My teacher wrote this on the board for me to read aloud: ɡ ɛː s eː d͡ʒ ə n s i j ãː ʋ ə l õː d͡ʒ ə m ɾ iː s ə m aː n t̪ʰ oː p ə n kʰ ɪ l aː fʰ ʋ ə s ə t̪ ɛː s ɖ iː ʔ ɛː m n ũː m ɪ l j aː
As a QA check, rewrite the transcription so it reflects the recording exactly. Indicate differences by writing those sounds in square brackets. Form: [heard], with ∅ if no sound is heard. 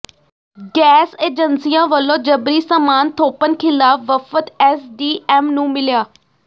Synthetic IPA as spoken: ɡ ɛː s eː d͡ʒ ə n s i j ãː ʋ ə l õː d͡ʒ ə [b] ɾ iː s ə m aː n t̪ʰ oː p ə n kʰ ɪ l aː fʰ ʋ ə [f] ə t̪ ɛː s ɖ iː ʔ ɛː m n ũː m ɪ l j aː

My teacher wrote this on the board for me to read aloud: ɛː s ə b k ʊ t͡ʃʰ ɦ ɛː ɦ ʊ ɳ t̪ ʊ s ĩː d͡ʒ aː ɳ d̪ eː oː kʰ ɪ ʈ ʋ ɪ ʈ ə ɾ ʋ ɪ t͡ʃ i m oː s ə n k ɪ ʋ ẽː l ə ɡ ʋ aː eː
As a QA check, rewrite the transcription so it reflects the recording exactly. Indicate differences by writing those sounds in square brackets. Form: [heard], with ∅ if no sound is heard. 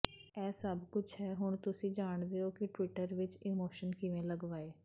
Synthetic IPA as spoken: ɛː s ə b k ʊ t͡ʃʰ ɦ ɛː ɦ ʊ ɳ t̪ ʊ s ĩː d͡ʒ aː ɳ d̪ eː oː [k] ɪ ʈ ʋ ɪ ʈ ə ɾ ʋ ɪ t͡ʃ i m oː [ʃ] ə n k ɪ ʋ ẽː l ə ɡ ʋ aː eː

